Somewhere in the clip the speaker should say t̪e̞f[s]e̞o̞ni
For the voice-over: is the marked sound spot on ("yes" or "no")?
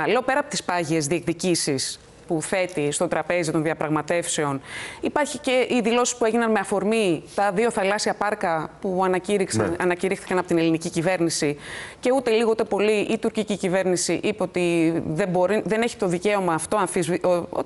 yes